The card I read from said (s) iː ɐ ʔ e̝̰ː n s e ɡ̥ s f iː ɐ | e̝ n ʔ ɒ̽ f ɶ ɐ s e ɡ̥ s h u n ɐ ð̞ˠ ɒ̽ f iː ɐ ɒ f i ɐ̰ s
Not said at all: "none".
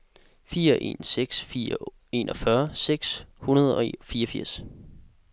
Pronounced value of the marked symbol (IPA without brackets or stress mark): f